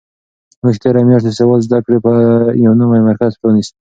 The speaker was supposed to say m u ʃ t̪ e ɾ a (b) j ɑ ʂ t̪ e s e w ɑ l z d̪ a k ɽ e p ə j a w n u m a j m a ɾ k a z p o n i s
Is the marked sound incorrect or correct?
incorrect